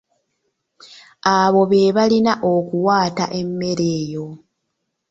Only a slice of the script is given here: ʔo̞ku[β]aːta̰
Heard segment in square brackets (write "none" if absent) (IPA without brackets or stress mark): w